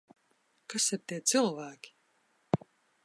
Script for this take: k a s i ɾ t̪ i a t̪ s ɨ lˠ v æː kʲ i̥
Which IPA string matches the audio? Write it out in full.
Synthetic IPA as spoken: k a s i ɾ t̪ i ɛ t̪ s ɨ lˠ v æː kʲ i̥

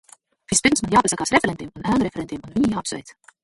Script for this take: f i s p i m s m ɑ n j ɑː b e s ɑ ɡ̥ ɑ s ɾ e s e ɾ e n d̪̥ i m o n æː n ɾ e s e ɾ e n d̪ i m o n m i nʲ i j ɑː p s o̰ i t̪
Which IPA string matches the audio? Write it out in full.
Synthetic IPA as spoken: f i s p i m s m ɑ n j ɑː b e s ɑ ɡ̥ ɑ s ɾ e f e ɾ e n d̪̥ i m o n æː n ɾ e f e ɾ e n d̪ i m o n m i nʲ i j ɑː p s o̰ j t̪

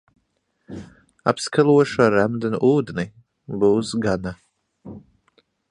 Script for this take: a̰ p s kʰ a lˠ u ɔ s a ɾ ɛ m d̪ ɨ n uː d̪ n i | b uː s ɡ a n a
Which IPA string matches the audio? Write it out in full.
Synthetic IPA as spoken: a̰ p s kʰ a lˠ u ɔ ʃ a ɾ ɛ m d̪ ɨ n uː d̪ n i | b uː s ɡ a n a

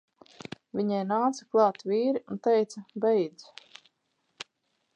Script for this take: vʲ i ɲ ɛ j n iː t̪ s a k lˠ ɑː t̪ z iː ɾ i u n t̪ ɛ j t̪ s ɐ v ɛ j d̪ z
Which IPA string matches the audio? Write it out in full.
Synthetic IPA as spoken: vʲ i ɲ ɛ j n aː t̪ s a k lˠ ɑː t̪ v iː ɾ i u n t̪ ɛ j t̪ s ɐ b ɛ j d̪ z

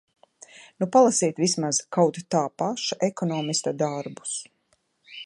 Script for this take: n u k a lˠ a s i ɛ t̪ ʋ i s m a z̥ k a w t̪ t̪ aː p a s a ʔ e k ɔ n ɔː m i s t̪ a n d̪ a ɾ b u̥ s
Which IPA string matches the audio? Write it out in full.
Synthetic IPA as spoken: n u p a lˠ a s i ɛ t̪ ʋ i s m a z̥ k a w t̪ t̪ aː p a ʃ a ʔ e k ɔ n ɔː m i s t̪ a d̪ a ɾ b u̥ s

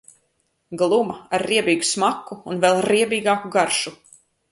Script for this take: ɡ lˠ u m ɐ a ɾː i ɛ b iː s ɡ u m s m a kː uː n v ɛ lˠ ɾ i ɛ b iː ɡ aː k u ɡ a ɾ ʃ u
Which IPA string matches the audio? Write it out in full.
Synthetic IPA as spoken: ɡ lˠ u m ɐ a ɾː i ɛ b iː ɡ u s m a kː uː n v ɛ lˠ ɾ i ɛ b iː ɡ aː k u ɡ a ɾ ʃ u

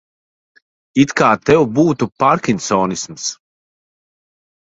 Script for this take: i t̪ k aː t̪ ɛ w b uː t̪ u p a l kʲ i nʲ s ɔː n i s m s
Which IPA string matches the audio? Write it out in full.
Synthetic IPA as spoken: i t̪ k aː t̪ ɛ w b uː t̪ u p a ɾ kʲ i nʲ s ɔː n i s m s

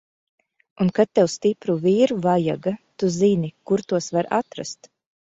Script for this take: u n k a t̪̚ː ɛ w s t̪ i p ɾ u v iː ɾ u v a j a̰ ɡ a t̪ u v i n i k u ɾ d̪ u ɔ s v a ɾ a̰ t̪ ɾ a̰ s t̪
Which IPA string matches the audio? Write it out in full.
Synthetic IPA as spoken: u n k a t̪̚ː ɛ w s t̪ i p ɾ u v iː ɾ u v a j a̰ ɡ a t̪ u z i n i k u ɾ t̪ u ɔ s v a ɾ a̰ t̪ ɾ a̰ s t̪

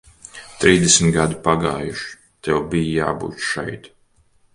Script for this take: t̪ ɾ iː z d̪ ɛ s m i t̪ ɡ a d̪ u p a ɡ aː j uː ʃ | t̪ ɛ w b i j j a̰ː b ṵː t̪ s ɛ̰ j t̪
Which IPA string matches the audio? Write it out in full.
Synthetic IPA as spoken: t̪ ɾ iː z d̪ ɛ s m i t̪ ɡ a d̪ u p a ɡ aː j u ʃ | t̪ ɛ w b i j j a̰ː b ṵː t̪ ʃ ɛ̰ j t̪

